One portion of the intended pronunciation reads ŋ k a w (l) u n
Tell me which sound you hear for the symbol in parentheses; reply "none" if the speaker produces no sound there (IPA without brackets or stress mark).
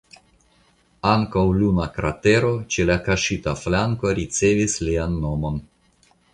l